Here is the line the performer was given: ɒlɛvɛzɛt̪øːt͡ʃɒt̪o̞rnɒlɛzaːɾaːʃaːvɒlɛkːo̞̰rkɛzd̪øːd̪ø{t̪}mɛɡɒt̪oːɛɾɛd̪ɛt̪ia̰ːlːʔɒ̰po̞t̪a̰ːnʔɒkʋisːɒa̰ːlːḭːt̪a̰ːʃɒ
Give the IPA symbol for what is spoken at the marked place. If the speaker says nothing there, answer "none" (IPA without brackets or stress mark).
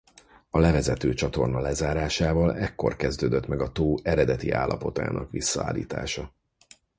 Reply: t̪